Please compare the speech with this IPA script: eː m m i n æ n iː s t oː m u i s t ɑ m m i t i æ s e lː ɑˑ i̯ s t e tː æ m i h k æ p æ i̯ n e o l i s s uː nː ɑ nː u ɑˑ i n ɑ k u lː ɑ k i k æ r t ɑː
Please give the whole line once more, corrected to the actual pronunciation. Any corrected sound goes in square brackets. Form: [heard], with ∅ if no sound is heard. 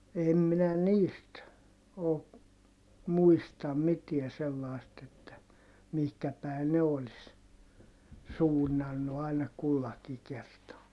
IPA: [e] m m i n æ n iː s t oː m u i s t ɑ m m i t i æ s e lː ɑˑ i̯ s t e tː æ m i h k æ p æ i̯ n e o l i s s uː nː ɑ nː u ɑˑ i n ɑ k u lː ɑ k i k [e] r t ɑː